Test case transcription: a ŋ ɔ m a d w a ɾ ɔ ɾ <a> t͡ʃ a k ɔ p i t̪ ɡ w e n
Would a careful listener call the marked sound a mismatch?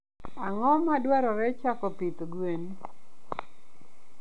yes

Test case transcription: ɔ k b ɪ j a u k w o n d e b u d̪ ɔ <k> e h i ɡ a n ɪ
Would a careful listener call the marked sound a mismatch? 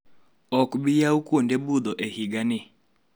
yes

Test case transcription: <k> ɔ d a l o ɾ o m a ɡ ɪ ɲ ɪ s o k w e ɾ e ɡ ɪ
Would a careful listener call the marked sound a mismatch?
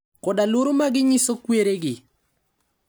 no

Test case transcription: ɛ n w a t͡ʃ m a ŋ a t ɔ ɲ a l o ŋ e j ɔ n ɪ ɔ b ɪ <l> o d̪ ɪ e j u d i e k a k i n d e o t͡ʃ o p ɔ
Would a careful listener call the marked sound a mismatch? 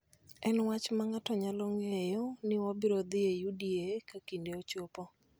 yes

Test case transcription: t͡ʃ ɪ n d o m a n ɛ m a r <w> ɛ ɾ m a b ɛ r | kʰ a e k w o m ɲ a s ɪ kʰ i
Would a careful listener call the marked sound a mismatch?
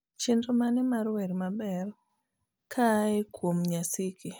no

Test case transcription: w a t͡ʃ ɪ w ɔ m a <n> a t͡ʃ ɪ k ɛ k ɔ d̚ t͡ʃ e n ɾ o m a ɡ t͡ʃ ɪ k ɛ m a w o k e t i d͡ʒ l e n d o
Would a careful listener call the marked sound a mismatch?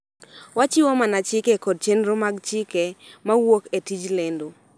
no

